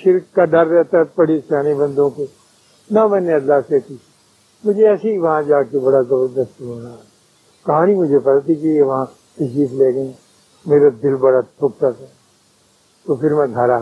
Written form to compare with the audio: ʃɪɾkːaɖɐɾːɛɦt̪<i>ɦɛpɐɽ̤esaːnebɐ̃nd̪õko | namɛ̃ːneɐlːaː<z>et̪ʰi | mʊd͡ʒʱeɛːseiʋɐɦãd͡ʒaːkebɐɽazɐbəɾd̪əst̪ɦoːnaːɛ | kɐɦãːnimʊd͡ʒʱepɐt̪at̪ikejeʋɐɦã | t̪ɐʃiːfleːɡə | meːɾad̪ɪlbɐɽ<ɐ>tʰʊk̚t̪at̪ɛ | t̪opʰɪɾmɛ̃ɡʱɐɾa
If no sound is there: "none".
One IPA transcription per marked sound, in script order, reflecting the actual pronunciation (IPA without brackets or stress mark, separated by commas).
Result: a, s, a